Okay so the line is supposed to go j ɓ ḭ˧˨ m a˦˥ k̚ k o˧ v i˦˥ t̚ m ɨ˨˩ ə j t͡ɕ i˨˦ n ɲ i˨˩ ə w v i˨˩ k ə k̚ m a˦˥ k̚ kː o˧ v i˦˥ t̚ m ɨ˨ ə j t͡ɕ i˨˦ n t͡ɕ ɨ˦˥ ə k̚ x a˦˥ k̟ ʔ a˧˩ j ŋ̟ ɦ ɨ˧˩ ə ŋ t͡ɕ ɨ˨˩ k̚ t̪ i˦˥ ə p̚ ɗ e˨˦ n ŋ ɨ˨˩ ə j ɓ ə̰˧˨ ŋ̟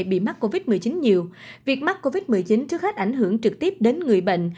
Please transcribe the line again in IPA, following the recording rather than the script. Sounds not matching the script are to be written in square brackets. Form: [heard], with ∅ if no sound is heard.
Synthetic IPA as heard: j ɓ ḭ˧˨ m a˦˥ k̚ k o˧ v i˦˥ t̚ m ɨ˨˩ ə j t͡ɕ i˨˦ n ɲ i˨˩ ə w v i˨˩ [∅] ə k̚ m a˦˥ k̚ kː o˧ v i˦˥ t̚ m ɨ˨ ə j t͡ɕ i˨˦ n t͡ɕ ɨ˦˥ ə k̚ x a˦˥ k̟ ʔ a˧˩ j ŋ̟ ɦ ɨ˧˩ ə ŋ t͡ɕ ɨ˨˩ k̚ t̪ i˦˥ ə p̚ ɗ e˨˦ n ŋ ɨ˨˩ ə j ɓ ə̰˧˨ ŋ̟